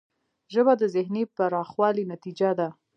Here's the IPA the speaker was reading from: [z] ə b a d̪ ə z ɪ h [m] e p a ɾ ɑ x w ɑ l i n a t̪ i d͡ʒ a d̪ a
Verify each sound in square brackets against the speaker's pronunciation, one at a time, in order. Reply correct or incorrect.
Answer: incorrect: ʒ, incorrect: n

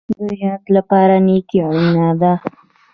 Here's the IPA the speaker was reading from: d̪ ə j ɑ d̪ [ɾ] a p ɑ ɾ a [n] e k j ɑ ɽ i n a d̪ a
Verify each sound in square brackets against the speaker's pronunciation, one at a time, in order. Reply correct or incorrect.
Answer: incorrect: l, correct

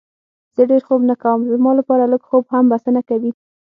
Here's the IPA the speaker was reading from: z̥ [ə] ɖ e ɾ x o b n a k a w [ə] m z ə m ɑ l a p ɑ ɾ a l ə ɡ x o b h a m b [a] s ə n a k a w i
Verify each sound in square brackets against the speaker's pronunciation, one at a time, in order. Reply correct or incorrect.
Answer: correct, correct, correct

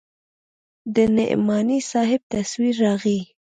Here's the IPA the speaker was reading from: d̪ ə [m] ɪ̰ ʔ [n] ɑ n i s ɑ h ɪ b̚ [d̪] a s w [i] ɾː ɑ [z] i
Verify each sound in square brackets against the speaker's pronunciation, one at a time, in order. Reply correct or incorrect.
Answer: incorrect: n, incorrect: m, incorrect: t̪, correct, incorrect: ɣ

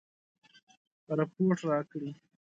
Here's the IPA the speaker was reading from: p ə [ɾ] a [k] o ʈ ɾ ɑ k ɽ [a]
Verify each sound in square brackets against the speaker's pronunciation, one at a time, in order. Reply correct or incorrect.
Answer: correct, incorrect: p, incorrect: i

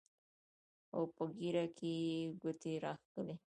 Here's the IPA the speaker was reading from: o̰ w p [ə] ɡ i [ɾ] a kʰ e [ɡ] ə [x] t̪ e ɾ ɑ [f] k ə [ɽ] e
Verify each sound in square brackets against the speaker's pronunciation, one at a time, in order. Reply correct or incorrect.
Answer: correct, correct, correct, incorrect: none, incorrect: x, incorrect: l

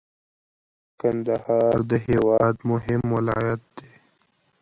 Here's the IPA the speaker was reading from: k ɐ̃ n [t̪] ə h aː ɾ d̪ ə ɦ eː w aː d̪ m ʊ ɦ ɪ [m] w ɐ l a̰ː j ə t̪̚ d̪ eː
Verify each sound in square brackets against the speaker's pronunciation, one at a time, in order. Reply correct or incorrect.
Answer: incorrect: d̪, correct

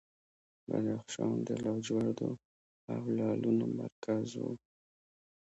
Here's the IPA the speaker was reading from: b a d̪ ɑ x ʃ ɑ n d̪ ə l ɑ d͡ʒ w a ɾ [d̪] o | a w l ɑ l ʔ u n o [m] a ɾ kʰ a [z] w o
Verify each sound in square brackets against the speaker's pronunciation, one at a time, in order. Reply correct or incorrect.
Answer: correct, correct, correct

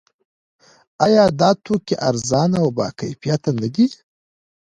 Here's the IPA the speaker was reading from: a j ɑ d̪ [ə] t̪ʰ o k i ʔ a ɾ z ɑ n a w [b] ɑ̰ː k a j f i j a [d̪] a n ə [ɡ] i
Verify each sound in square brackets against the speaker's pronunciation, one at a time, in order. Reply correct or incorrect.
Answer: incorrect: ɑ, correct, incorrect: t̪, correct

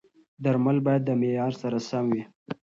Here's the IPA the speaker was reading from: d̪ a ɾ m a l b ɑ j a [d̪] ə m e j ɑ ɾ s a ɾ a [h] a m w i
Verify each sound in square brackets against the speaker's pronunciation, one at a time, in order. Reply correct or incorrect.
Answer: incorrect: d̪ː, incorrect: s

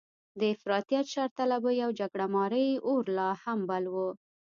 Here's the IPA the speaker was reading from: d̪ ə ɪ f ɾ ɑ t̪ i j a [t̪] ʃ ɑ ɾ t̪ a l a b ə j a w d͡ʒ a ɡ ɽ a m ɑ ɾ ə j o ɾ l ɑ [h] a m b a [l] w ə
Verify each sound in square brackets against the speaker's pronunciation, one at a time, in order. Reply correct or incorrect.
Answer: correct, correct, correct

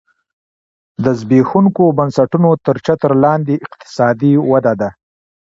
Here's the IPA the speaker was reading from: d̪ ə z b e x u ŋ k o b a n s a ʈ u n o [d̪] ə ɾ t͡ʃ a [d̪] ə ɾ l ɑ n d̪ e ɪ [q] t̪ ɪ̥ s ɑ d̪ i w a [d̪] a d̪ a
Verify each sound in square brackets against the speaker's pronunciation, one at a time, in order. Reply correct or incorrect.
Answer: incorrect: t̪, incorrect: t̪, correct, correct

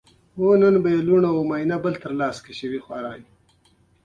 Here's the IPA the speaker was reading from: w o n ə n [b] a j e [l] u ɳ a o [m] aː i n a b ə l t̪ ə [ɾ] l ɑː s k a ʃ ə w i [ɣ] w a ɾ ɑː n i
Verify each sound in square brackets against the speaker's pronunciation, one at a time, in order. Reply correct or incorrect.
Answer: correct, correct, correct, correct, incorrect: x

